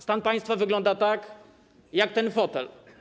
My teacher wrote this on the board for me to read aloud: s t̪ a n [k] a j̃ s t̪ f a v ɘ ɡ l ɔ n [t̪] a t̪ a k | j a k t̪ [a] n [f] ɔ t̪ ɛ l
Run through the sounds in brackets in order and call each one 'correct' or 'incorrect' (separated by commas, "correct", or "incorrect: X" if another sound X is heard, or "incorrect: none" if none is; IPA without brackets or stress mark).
incorrect: p, incorrect: d̪, incorrect: ɛ, correct